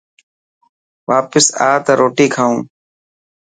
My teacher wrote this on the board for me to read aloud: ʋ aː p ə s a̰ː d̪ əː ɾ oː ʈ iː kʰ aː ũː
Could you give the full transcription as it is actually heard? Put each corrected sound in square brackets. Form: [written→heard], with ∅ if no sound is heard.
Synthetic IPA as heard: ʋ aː p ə s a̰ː [d̪→t̪] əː ɾ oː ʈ iː kʰ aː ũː